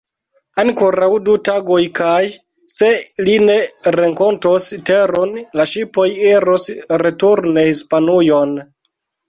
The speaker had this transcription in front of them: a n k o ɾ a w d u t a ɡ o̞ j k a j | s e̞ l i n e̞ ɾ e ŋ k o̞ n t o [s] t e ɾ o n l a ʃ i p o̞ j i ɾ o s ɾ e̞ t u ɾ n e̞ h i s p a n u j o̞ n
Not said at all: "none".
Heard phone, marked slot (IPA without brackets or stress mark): s